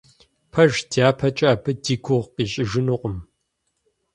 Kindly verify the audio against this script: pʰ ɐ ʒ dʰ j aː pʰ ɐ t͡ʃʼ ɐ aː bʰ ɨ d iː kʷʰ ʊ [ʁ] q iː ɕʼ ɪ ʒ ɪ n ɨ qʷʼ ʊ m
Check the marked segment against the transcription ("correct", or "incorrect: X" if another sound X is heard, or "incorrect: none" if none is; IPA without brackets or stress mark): correct